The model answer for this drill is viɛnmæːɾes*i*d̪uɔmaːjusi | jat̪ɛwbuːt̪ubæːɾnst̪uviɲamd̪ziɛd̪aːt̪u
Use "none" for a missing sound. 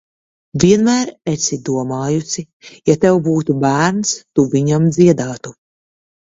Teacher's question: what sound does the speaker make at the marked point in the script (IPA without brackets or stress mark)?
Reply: i